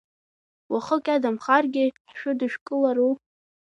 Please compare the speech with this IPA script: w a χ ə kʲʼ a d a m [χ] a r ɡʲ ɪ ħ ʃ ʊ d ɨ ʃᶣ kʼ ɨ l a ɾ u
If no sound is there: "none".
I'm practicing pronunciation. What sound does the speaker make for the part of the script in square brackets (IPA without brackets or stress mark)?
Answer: χ